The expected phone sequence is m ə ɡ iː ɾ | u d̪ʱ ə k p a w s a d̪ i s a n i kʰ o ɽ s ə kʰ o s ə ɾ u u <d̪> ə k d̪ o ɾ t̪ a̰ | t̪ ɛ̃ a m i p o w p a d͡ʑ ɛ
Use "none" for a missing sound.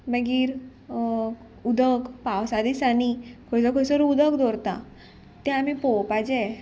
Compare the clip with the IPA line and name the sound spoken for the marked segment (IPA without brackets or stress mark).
d̪